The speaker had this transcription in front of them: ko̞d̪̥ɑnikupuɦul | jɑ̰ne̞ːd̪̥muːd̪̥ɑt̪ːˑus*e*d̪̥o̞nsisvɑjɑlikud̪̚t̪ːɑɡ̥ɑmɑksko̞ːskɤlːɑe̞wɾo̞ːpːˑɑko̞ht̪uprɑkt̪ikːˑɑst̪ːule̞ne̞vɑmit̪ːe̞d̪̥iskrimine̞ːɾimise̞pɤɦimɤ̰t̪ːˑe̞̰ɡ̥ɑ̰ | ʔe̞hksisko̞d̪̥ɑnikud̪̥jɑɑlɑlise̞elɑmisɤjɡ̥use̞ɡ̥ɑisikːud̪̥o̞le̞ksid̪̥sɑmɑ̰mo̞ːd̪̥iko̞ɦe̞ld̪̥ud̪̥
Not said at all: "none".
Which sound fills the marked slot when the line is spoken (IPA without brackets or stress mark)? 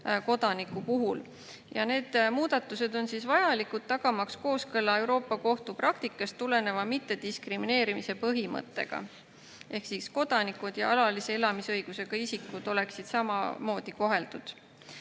e